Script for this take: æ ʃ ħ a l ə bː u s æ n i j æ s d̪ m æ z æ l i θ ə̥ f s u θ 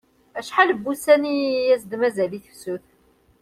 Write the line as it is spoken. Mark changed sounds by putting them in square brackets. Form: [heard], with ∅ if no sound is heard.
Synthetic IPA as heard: æ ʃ ħ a l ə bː u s æ n i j æ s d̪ m æ z æ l i θ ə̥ f s u θ